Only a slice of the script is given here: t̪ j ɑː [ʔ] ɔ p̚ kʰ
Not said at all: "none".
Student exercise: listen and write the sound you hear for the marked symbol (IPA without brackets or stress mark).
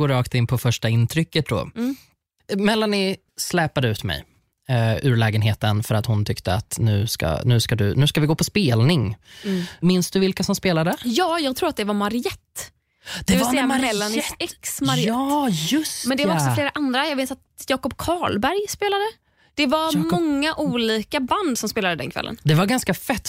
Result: k